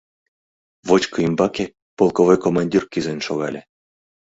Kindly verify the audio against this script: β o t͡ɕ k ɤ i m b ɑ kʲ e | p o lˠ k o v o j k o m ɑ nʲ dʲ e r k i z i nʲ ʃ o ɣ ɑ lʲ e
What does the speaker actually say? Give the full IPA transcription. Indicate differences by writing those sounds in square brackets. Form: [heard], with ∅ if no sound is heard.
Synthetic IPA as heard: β o t͡ɕ k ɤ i m b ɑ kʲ e | p o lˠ k o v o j k o m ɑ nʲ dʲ [i] r k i z [e] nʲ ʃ o ɣ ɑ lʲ e